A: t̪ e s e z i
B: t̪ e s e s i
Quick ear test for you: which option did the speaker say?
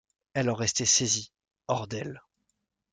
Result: A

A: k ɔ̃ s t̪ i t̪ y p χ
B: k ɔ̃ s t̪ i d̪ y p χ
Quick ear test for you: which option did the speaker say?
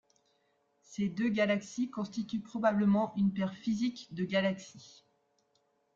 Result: A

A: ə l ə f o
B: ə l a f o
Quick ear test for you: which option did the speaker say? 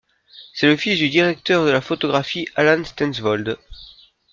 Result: B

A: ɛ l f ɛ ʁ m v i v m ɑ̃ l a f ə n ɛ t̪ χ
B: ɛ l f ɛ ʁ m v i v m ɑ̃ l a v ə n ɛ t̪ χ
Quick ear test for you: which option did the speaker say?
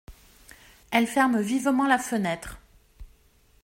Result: A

